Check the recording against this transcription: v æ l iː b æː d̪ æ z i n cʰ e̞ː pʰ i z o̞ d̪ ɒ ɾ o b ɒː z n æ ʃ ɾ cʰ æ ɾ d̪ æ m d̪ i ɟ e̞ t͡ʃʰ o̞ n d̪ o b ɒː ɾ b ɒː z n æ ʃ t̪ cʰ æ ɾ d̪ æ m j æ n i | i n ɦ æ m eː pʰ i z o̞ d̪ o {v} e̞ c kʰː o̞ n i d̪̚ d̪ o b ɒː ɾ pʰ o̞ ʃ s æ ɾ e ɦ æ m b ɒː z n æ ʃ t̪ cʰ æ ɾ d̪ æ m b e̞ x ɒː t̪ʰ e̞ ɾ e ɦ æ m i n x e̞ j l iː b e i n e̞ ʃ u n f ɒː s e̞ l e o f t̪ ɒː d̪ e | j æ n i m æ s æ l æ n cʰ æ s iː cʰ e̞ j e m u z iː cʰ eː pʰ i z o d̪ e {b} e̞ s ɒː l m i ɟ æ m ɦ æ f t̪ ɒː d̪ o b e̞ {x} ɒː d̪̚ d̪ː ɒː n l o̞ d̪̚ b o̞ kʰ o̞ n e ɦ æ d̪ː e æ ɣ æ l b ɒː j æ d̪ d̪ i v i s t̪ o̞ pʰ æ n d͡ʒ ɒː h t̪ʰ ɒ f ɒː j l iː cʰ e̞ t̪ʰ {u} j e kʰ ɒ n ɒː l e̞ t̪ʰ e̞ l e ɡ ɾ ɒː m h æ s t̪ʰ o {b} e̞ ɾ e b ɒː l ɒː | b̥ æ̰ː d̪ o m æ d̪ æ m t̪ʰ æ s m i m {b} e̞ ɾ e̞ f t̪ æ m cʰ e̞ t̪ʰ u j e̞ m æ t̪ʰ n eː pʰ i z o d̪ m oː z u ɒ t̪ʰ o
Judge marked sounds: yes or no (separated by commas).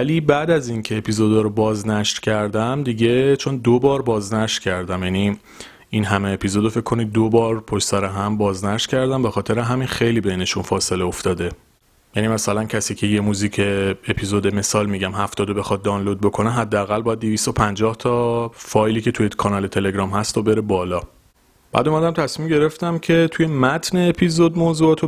no, no, yes, yes, yes, no